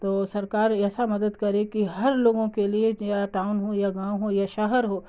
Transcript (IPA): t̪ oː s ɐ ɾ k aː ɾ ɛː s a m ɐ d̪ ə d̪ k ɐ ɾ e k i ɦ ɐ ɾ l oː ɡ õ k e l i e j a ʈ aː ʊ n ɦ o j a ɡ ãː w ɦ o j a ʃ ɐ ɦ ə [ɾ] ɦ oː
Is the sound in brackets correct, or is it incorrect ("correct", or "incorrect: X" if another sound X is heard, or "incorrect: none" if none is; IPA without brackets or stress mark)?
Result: correct